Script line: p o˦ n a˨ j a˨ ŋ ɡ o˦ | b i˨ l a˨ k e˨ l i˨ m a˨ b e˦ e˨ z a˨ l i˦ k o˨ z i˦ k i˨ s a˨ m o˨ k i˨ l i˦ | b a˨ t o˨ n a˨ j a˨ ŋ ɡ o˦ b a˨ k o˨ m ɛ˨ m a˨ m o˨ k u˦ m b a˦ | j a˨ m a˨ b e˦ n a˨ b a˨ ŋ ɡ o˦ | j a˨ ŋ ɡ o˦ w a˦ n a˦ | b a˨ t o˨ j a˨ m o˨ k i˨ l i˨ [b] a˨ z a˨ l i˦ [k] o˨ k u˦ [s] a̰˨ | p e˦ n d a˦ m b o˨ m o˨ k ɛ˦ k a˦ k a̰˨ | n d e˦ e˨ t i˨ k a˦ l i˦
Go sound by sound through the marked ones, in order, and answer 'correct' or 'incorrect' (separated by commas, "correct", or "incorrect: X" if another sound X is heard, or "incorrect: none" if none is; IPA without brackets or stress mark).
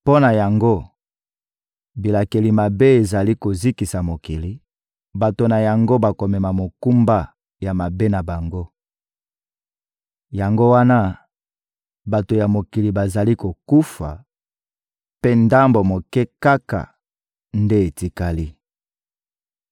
correct, correct, incorrect: f